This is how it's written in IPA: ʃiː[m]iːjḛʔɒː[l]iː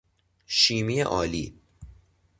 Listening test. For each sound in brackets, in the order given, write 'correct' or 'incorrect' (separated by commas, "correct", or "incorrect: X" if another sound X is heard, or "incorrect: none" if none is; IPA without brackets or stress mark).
correct, correct